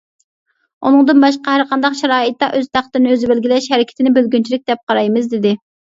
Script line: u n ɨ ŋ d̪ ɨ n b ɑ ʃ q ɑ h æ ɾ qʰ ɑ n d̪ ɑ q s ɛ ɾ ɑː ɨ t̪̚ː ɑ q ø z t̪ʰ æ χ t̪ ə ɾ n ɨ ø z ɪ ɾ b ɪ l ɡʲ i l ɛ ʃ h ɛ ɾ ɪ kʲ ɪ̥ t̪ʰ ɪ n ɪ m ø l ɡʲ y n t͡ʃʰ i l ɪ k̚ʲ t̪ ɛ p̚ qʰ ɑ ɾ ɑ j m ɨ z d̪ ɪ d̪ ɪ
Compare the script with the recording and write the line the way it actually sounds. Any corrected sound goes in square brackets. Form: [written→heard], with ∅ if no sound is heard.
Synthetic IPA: u n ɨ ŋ d̪ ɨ n b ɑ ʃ q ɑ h æ ɾ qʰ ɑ n d̪ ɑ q [s→ʃ] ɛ ɾ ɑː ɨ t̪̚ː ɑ [q→ʔ] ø z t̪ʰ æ χ t̪ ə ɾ n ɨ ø z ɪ [ɾ→∅] b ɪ l ɡʲ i l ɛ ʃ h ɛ ɾ ɪ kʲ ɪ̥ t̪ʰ ɪ n ɪ [m→b] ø l ɡʲ y n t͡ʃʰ i l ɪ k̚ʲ [t̪→d̪] ɛ p̚ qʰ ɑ ɾ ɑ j m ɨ z d̪ ɪ d̪ ɪ